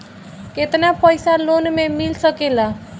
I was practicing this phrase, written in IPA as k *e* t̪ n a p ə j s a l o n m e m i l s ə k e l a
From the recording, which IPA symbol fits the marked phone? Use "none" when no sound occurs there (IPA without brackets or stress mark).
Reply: e